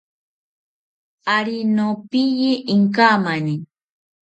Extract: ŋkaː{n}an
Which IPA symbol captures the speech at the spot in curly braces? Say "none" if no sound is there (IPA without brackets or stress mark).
m